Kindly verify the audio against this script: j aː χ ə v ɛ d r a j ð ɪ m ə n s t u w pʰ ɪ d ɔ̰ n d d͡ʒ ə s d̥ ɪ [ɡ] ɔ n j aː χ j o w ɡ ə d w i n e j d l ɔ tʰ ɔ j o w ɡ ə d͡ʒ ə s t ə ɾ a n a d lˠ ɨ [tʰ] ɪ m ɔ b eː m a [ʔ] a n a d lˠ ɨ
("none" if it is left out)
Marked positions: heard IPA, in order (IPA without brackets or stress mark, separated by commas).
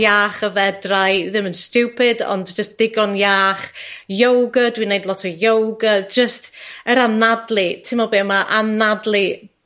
ɡ, tʰ, ʔ